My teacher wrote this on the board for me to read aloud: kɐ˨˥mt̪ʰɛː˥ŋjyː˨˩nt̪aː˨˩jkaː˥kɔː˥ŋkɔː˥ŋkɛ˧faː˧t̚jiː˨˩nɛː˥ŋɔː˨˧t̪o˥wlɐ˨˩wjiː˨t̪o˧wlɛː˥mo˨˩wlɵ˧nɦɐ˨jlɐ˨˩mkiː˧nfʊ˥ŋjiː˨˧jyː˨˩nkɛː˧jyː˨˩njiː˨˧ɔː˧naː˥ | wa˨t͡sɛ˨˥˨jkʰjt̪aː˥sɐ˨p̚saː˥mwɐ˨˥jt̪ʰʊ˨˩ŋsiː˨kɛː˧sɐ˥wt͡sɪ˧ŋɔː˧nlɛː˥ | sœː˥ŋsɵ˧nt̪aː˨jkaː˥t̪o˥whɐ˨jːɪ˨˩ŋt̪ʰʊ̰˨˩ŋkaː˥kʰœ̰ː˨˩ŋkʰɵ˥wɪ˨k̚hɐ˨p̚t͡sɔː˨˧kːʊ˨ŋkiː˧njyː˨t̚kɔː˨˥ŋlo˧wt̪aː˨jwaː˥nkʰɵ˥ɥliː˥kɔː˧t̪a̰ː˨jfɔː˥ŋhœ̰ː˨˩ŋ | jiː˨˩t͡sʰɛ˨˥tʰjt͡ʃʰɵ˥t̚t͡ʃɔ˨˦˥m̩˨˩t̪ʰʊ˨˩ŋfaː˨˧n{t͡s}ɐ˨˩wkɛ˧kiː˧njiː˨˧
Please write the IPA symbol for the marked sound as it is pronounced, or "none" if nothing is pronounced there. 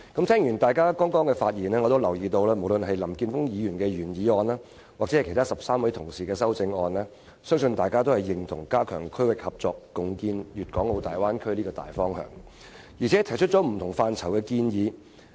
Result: t͡sʰ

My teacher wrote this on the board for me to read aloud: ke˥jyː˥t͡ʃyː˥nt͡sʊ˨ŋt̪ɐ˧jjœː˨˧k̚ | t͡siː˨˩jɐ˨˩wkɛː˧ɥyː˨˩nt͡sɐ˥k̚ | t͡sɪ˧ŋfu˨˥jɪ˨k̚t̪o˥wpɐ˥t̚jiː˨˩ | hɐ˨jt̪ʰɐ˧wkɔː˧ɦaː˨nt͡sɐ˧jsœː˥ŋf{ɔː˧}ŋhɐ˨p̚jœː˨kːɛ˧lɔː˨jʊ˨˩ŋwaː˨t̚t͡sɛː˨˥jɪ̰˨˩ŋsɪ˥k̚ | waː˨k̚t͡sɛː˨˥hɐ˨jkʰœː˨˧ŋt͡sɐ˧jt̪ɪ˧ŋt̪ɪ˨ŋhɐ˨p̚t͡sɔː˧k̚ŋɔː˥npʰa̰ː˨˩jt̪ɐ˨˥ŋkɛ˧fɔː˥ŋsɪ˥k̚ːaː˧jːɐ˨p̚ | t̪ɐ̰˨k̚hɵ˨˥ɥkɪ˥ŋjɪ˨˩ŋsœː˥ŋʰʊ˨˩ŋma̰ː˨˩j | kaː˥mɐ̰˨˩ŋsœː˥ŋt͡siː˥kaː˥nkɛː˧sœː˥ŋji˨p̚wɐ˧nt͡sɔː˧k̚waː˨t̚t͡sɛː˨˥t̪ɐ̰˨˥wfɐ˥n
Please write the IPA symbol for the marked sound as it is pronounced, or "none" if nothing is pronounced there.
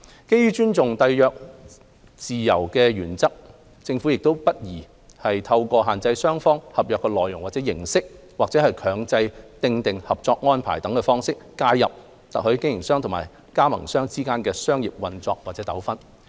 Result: ɔː˥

